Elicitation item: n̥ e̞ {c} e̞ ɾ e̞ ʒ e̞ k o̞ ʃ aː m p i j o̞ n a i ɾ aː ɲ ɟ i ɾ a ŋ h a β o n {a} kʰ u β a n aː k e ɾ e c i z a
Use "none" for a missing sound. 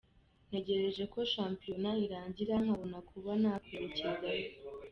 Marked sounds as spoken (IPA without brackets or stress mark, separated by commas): ɟ, a